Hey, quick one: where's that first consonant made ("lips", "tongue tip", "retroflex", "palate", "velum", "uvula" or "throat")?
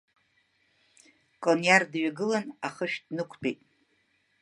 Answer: velum